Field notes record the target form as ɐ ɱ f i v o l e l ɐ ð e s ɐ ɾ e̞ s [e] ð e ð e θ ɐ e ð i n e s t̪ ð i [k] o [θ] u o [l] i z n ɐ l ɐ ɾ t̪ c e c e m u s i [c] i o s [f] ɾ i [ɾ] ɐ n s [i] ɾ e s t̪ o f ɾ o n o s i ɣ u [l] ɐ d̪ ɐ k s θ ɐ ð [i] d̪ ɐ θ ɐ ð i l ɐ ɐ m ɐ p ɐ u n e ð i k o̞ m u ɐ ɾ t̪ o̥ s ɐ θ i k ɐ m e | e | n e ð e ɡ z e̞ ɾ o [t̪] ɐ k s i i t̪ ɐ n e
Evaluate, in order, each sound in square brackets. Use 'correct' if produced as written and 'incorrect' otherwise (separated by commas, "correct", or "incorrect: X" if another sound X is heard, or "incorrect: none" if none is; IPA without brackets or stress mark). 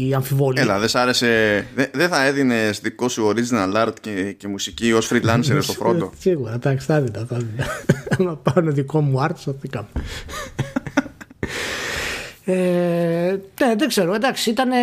correct, correct, incorrect: s, incorrect: ɾ, correct, correct, incorrect: l, incorrect: e, incorrect: ɾ, correct, incorrect: d̪